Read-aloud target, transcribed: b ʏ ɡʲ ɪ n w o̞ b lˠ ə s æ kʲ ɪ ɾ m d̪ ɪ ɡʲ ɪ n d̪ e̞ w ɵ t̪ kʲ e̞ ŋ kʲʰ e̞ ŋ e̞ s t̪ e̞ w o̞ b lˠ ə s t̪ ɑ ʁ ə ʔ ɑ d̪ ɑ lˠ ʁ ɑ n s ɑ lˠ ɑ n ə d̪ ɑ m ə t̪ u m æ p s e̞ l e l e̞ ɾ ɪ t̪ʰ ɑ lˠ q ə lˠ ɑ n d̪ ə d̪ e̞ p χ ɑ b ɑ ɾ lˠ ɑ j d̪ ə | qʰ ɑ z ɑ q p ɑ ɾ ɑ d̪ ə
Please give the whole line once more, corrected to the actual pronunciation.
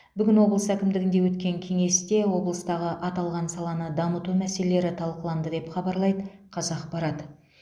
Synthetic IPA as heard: b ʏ ɡʲ ɪ n w o̞ b lˠ ə s æ kʲ ɪ m d̪ ɪ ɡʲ ɪ n d̪ e̞ w ɵ t̪ kʲ e̞ ŋ kʲʰ e̞ ŋ e̞ s t̪ e̞ w o̞ b lˠ ə s t̪ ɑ ʁ ə ʔ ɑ t̪ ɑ lˠ ʁ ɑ n s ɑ lˠ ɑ n ə d̪ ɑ m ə t̪ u m æ s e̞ l e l e̞ ɾ ɪ t̪ʰ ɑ lˠ q ə lˠ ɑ n d̪ ə d̪ e̞ p χ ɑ b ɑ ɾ lˠ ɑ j d̪ ə | qʰ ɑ z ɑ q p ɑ ɾ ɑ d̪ ə